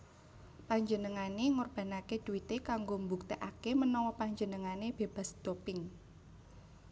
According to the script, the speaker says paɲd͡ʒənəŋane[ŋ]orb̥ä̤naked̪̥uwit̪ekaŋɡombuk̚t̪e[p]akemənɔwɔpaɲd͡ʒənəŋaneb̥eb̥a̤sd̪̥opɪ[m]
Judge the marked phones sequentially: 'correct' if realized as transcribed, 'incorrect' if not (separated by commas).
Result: correct, incorrect, incorrect